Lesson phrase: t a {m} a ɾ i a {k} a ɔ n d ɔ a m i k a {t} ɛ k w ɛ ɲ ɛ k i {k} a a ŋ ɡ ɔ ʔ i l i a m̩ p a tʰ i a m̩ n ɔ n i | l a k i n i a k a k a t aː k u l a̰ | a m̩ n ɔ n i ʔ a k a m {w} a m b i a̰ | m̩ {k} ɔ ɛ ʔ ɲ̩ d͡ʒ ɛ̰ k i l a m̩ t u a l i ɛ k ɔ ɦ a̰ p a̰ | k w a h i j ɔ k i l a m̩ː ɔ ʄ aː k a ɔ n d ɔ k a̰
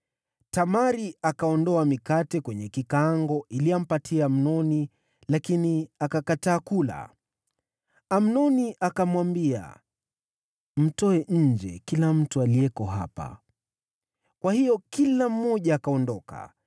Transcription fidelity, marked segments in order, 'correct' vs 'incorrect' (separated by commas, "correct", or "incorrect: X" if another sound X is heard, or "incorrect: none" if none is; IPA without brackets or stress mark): correct, correct, correct, correct, correct, incorrect: t